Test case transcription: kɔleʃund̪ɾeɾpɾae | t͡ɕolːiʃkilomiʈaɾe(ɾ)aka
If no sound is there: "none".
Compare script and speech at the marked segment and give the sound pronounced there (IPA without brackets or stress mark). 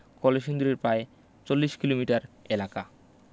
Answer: l